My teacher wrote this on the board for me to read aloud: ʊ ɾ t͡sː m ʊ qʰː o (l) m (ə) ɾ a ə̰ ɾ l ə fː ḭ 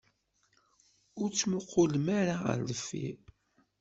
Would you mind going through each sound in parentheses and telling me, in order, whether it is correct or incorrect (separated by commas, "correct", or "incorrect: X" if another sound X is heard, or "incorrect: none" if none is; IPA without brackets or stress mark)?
correct, incorrect: a